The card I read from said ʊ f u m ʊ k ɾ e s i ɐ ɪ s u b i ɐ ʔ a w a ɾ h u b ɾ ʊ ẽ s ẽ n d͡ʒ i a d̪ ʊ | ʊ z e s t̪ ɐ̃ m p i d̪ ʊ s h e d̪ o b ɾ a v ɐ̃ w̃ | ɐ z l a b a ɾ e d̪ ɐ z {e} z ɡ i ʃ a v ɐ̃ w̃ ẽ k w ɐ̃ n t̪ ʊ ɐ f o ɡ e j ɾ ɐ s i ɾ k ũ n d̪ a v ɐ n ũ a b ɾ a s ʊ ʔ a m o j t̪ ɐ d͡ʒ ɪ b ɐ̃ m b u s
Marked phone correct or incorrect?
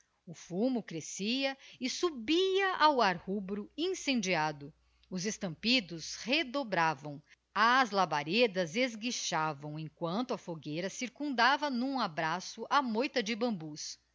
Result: correct